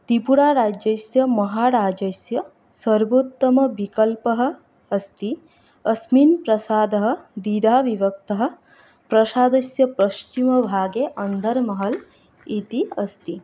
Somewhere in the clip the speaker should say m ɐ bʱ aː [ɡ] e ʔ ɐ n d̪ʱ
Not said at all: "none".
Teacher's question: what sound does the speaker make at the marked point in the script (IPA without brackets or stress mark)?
ɡ